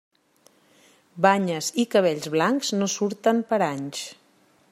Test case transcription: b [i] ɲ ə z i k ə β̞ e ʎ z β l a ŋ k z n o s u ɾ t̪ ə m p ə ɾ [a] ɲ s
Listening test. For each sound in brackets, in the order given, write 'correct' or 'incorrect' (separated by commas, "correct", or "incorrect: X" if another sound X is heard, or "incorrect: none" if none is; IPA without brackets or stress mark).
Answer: incorrect: a, correct